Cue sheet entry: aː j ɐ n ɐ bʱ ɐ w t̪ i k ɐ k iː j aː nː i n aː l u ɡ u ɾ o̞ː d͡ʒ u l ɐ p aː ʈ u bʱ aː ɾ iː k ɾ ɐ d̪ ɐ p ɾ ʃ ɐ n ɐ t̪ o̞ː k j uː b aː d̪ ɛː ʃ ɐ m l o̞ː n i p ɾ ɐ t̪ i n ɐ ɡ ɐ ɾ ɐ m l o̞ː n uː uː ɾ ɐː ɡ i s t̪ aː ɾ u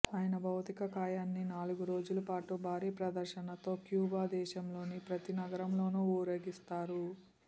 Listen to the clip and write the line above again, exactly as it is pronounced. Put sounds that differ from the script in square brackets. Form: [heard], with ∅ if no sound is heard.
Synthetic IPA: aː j ɐ n ɐ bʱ ɐ w t̪ i k ɐ k [aː] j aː nː i n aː l u ɡ u ɾ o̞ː d͡ʒ u l ɐ p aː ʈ u bʱ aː ɾ iː [p] ɾ ɐ d̪ ɐ [∅] ɾ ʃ ɐ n ɐ t̪ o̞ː k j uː b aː d̪ ɛː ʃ ɐ m l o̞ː n i p ɾ ɐ t̪ i n ɐ ɡ ɐ ɾ ɐ m l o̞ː n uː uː ɾ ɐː ɡ i s t̪ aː ɾ u

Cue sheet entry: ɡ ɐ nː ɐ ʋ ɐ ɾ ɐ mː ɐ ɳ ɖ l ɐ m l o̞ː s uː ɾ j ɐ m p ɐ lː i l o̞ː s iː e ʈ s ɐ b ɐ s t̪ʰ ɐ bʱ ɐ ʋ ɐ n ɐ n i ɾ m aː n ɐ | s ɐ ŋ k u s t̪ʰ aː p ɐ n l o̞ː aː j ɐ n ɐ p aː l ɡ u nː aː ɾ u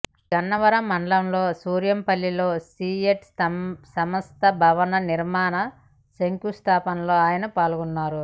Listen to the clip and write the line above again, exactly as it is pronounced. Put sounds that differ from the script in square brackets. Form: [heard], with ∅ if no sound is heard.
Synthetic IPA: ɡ ɐ nː ɐ ʋ ɐ ɾ ɐ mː ɐ ɳ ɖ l ɐ m l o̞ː s uː ɾ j ɐ m p ɐ lː i l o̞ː s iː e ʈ s ɐ [m] ɐ s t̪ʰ ɐ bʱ ɐ ʋ ɐ n ɐ n i ɾ m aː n ɐ | s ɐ ŋ k u s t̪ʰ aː p ɐ n l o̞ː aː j ɐ n ɐ p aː l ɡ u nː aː ɾ u

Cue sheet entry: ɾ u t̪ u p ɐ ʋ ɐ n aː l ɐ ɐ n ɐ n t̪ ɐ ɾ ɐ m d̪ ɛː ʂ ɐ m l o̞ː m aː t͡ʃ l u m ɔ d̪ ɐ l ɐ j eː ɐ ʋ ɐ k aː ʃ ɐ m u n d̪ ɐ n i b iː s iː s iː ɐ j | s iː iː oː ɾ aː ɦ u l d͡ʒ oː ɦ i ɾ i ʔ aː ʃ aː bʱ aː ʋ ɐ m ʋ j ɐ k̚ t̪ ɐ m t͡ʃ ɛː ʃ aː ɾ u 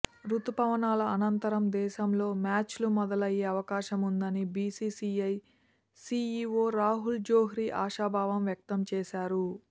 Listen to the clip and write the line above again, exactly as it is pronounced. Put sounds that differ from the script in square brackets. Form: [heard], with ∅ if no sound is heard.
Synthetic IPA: ɾ u t̪ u p ɐ ʋ ɐ n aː l ɐ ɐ n ɐ n t̪ ɐ ɾ ɐ m d̪ ɛː [ʃ] ɐ m l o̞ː m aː t͡ʃ l u m ɔ d̪ ɐ l ɐ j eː ɐ ʋ ɐ k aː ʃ ɐ m u n d̪ ɐ n i b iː s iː s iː ɐ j | s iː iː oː ɾ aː ɦ u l d͡ʒ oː ɦ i ɾ i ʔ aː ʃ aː bʱ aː ʋ ɐ m ʋ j ɐ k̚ t̪ ɐ m t͡ʃ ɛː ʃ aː ɾ u

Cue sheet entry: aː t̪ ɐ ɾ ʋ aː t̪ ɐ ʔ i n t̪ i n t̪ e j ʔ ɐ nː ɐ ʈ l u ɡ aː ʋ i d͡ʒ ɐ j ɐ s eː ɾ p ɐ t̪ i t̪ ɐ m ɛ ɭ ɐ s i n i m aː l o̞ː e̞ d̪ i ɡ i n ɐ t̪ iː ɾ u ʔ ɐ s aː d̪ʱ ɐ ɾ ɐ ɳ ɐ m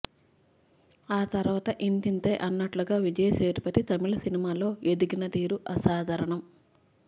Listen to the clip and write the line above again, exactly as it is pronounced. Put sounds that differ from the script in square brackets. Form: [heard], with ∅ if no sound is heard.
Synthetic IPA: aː t̪ ɐ ɾ ʋ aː t̪ ɐ ʔ i n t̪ i n t̪ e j ʔ ɐ nː ɐ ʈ l u ɡ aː ʋ i d͡ʒ ɐ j ɐ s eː ɾ p ɐ t̪ i t̪ ɐ m [i] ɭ ɐ s i n i m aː l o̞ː e̞ d̪ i ɡ i n ɐ t̪ iː ɾ u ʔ ɐ s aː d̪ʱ ɐ ɾ ɐ ɳ ɐ m

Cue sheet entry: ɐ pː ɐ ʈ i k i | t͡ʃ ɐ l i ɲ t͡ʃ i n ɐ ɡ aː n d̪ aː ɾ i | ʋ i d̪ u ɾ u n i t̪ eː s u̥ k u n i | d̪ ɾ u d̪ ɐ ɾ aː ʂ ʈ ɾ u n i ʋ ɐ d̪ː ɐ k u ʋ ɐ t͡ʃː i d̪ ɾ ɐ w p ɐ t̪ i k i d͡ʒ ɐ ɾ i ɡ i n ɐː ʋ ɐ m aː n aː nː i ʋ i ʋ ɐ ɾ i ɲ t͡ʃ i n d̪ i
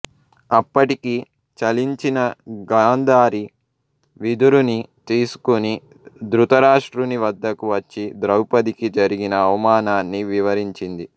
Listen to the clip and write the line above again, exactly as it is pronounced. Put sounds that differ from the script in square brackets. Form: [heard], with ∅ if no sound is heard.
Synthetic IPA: ɐ pː ɐ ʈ i k i | t͡ʃ ɐ l i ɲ t͡ʃ i n ɐ ɡ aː n d̪ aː ɾ i | ʋ i d̪ u ɾ u n i t̪ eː s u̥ k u n i | d̪ ɾ u [t̪] ɐ ɾ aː ʂ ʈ ɾ u n i ʋ ɐ d̪ː ɐ k u ʋ ɐ t͡ʃː i d̪ ɾ ɐ w p ɐ [d̪] i k i d͡ʒ ɐ ɾ i ɡ i n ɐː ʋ ɐ m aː n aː nː i ʋ i ʋ ɐ ɾ i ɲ t͡ʃ i n d̪ i

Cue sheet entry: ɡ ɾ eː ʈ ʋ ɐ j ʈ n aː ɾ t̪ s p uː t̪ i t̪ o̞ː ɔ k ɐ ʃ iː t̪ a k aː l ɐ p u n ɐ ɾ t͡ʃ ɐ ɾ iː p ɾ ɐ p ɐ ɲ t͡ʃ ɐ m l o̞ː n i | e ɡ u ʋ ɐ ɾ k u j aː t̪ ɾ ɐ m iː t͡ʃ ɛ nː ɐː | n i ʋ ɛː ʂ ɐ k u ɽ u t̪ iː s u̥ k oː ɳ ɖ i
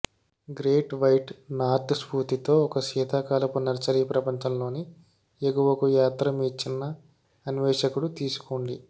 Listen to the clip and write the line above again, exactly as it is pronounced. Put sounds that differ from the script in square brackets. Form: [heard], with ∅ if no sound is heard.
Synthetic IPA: ɡ ɾ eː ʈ ʋ ɐ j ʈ n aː ɾ t̪ s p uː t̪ i t̪ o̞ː ɔ k ɐ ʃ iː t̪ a k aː l ɐ p u n ɐ ɾ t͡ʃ ɐ ɾ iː p ɾ ɐ p ɐ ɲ t͡ʃ ɐ m l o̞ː n i | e ɡ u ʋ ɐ [∅] k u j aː t̪ ɾ ɐ m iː t͡ʃ [i] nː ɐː | n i ʋ ɛː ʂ ɐ k u ɽ u t̪ iː s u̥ k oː ɳ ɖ i

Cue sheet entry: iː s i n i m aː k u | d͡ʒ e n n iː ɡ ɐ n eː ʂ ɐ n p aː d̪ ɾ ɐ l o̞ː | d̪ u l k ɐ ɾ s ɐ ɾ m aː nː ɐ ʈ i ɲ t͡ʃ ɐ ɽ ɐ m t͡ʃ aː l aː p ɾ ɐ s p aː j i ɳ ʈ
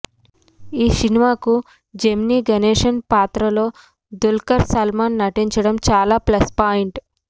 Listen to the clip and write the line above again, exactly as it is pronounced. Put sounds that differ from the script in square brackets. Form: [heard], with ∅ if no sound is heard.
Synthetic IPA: iː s i n i m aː k u | d͡ʒ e [m] n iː ɡ ɐ n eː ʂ ɐ n p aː [t̪] ɾ ɐ l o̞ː | d̪ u l k ɐ ɾ s ɐ [l] m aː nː ɐ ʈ i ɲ t͡ʃ ɐ ɽ ɐ m t͡ʃ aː l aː p [l] ɐ s p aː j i ɳ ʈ

